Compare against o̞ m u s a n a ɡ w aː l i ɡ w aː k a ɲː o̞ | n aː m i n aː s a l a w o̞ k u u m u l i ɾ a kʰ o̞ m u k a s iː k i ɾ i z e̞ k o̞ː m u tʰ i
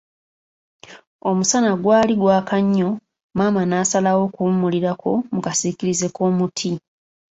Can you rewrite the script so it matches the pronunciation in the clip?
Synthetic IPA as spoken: o̞ m u s a n a ɡ w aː l i ɡ w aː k a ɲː o̞ | m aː m a n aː s a l a w o̞ k u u m u l i ɾ a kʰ o̞ m u k a s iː k i ɾ i z e̞ k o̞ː m u tʰ i